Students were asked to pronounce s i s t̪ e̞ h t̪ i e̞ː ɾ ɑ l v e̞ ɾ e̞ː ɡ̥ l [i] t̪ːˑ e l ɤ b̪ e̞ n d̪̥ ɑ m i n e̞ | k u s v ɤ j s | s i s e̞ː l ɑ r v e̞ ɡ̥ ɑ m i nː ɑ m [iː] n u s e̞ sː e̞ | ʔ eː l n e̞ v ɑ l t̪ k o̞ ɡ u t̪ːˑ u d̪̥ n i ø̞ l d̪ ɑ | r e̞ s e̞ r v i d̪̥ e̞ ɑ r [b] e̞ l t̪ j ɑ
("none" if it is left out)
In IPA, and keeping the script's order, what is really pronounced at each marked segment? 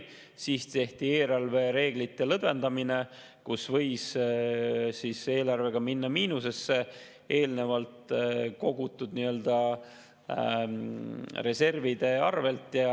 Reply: i, iː, v

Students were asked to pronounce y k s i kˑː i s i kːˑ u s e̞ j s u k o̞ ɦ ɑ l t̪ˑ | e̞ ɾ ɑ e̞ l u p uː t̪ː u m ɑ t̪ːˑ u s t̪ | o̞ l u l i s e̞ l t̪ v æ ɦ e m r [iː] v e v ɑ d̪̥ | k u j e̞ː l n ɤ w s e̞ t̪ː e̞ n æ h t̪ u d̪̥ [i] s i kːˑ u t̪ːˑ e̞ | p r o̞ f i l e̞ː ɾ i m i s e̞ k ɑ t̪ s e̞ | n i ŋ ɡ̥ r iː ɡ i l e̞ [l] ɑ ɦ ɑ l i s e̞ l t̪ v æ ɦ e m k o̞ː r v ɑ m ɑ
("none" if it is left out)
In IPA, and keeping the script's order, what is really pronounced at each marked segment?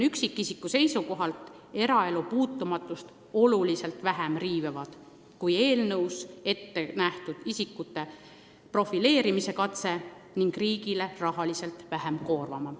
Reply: iː, i, r

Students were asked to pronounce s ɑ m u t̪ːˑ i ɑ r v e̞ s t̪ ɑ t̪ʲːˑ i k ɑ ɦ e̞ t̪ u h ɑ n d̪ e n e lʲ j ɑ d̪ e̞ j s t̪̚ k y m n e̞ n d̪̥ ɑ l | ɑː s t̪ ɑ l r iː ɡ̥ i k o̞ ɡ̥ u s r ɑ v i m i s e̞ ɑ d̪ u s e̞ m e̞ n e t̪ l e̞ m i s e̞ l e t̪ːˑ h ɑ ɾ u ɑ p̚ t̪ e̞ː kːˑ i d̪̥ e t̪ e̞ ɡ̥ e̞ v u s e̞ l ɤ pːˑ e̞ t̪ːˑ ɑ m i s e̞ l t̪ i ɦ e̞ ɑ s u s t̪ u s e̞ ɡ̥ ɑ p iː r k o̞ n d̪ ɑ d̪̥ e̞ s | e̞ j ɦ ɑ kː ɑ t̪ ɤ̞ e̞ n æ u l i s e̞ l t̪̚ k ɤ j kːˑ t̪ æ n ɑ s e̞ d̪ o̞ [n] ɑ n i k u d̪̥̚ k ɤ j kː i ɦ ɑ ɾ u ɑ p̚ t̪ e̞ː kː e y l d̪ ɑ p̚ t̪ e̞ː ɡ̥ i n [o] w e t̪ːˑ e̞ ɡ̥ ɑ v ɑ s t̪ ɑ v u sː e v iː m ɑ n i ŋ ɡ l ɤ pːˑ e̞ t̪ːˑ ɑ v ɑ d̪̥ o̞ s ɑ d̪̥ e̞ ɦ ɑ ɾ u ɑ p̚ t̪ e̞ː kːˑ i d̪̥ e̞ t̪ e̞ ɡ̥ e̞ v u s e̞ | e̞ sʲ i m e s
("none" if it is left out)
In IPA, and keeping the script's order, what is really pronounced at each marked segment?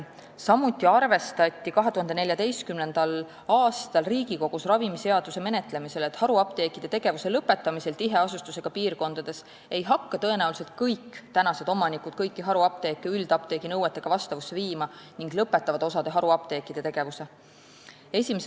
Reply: m, ɤ

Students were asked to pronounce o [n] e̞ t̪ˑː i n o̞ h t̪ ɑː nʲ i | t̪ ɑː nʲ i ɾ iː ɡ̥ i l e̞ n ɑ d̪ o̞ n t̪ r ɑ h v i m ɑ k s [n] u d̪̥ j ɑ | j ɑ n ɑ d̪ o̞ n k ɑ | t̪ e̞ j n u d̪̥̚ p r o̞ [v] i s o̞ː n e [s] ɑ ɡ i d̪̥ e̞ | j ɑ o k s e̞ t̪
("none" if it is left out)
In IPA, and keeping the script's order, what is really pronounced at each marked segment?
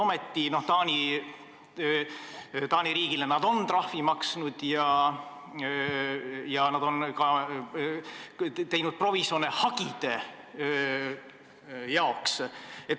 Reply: m, n, v, h

